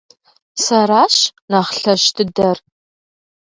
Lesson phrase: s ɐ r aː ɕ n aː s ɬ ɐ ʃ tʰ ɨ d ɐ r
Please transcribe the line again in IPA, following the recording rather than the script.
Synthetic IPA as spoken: s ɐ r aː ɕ n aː χ ɬ ɐ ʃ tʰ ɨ d ɐ r

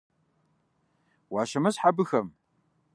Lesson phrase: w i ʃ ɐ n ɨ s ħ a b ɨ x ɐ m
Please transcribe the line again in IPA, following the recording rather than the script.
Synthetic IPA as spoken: w a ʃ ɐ m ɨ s ħ a b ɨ x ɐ m

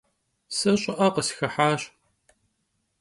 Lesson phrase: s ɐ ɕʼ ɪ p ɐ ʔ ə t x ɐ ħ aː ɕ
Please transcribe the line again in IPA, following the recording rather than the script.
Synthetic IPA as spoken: s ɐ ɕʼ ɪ ʔ ɐ q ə s x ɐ ħ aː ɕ

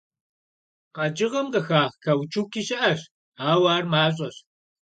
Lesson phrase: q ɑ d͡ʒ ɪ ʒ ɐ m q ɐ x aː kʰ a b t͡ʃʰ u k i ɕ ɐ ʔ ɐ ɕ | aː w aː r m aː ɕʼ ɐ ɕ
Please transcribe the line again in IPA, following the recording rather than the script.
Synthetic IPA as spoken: q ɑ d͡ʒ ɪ ʁ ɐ m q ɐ x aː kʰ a w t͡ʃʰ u k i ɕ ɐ ʔ ɐ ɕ | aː w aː r m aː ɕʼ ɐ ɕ

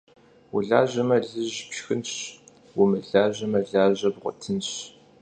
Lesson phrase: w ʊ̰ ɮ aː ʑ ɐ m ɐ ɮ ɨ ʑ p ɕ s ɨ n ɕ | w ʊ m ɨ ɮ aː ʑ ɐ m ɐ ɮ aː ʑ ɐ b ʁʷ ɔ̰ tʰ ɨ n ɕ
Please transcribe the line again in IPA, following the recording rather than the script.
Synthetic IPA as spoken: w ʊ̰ ɮ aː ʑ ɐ m ɐ ɮ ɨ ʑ p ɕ x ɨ n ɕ | w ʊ m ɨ ɮ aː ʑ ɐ m ɐ ɮ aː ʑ ɐ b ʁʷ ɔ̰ tʰ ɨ n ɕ

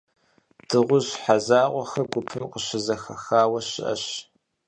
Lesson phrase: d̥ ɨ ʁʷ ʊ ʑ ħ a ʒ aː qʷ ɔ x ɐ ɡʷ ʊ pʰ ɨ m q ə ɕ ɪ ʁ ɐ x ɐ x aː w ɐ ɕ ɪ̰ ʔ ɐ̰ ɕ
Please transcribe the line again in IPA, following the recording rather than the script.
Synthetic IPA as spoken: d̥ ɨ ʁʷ ʊ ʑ ħ a z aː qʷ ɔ x ɐ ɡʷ ʊ pʰ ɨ m q ə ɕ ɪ z ɐ x ɐ x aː w ɐ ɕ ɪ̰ ʔ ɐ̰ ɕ

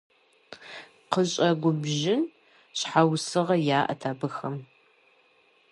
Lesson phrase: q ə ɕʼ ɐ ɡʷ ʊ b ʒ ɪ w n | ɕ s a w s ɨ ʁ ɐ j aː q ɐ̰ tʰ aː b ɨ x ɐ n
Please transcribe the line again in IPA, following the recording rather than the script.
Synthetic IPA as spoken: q ə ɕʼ ɐ ɡʷ ʊ b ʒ ɪ n | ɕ ħ a w s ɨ ʁ ɐ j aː ʔ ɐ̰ tʰ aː b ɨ x ɐ m

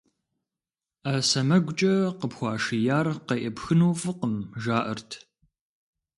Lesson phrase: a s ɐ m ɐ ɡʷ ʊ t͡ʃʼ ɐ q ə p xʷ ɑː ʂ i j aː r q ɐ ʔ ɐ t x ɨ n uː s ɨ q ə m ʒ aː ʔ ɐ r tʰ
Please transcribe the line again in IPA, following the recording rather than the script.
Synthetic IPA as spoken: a s ɐ m ɐ ɡʷ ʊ t͡ʃʼ ɐ q ə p xʷ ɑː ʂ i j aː r q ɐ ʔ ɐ p x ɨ n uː f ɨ q ə m ʒ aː ʔ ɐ r tʰ

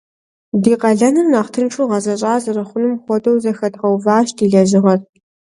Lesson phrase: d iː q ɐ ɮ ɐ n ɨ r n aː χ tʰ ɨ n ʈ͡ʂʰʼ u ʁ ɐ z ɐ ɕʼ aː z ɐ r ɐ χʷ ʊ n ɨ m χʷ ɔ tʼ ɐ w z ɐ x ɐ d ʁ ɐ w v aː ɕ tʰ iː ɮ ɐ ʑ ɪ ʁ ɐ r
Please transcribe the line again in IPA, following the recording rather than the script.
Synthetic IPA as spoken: d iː q ɐ ɮ ɐ n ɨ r n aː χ tʰ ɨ n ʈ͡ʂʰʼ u ʁ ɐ z ɐ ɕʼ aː z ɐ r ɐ χʷ ʊ n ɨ m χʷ ɔ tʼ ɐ w z ɐ x ɐ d ʁ ɐ w v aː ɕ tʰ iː ɮ ɐ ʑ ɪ ʁ ɐ r

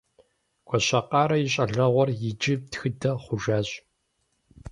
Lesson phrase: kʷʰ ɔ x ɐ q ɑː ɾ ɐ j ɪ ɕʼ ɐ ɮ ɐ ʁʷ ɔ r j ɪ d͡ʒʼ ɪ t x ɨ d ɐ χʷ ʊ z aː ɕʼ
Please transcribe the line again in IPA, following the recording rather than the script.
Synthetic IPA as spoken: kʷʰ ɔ ɕ ɐ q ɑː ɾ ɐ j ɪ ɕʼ ɐ ɮ ɐ ʁʷ ɔ r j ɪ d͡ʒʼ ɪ t x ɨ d ɐ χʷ ʊ ʒ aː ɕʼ

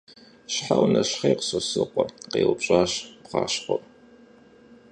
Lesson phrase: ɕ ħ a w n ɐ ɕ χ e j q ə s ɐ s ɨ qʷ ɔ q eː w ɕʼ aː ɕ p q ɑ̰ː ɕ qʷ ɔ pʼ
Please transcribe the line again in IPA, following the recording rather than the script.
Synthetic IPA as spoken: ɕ ħ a w n ɐ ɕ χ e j q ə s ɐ s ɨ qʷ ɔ q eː w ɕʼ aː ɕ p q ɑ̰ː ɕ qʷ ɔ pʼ

